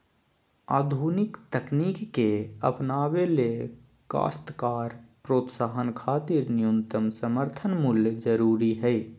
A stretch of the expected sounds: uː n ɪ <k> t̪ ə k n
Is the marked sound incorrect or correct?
correct